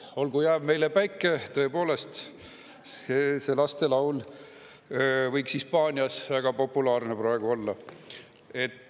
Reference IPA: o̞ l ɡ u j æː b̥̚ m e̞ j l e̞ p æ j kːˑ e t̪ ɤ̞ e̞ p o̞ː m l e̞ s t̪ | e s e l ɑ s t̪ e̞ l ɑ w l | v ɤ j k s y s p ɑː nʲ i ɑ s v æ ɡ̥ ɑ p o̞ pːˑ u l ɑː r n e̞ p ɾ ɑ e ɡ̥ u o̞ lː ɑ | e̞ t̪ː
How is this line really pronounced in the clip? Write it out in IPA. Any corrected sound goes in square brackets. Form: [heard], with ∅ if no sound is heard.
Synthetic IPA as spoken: o̞ l ɡ u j æː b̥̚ m e̞ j l e̞ p æ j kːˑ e t̪ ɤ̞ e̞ p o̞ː [∅] l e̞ s t̪ | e s e l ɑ s t̪ e̞ l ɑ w l | v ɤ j k s [i] s p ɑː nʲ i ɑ s v æ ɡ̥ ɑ p o̞ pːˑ u l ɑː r n e̞ p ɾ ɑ e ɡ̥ u o̞ lː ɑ | e̞ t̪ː